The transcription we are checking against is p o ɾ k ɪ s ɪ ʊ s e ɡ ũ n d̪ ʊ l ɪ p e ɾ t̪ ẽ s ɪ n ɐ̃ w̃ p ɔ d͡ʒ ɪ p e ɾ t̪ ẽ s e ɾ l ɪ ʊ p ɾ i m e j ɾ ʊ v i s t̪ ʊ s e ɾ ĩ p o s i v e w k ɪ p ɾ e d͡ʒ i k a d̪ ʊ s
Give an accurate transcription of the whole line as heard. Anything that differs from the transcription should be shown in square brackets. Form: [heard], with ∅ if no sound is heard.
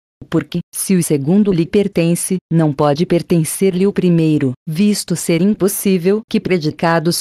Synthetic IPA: p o ɾ k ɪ s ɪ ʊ s e ɡ ũ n d̪ ʊ l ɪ p e ɾ t̪ ẽ s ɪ n ɐ̃ w̃ p ɔ d͡ʒ ɪ p e ɾ t̪ ẽ s e ɾ l ɪ ʊ p ɾ i m e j ɾ ʊ v i s t̪ ʊ s e ɾ ĩ p o s i v e w k ɪ p ɾ e d͡ʒ i k a d̪ ʊ s